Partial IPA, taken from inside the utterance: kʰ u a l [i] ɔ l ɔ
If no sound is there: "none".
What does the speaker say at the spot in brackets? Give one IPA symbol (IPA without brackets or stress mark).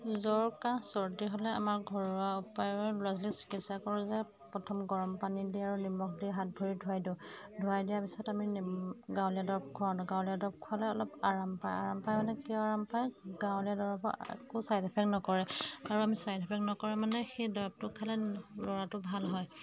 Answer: ɛ